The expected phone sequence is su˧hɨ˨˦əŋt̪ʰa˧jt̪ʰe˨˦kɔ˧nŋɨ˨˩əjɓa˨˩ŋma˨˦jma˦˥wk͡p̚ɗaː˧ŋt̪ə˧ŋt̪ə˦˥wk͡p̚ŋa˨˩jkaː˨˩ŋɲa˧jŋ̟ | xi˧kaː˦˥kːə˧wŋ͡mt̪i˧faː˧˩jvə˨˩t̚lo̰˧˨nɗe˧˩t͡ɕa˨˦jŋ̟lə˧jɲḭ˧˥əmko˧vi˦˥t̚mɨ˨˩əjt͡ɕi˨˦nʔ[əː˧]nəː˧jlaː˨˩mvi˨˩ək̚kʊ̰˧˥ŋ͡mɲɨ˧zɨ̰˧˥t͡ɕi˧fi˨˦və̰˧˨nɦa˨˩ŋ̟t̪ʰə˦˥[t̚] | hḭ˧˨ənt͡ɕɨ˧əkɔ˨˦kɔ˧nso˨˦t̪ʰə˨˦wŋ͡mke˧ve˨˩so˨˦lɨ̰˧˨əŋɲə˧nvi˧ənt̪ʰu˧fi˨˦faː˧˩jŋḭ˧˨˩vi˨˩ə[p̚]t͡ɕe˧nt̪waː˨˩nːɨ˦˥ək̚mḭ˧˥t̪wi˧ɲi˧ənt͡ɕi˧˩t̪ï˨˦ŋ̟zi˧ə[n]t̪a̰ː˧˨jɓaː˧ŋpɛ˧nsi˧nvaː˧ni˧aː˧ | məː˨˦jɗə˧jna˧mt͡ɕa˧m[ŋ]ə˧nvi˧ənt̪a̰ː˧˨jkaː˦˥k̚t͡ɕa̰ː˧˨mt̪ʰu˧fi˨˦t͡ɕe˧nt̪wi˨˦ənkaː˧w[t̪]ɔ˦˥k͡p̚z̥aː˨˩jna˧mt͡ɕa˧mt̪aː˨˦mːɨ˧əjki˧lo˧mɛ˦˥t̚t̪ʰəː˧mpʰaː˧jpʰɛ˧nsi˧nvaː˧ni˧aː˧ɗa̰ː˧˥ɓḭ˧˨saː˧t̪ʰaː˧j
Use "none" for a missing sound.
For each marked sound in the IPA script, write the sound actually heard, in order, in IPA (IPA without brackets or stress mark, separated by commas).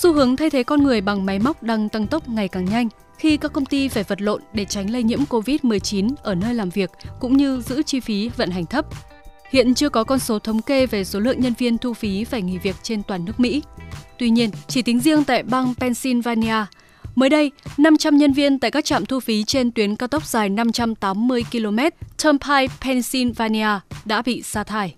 əː˧˩, p̚, k̚, ŋ, ɲ, t̪